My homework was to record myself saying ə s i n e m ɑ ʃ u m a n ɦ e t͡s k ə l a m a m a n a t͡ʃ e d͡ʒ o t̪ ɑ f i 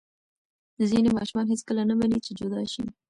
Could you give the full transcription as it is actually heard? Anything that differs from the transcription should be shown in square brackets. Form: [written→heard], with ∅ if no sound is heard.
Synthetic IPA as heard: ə [s→z] i n e m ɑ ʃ u m [a→ɑ] n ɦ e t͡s k ə l a [m→n] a m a n [a→i] t͡ʃ e d͡ʒ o [t̪→d̪] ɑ [f→ʃ] i